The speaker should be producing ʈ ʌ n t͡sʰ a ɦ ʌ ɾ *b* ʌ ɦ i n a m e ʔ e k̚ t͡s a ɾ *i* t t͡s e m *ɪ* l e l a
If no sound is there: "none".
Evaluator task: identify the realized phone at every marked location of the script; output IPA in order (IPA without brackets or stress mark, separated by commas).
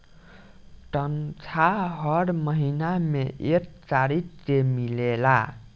m, i, i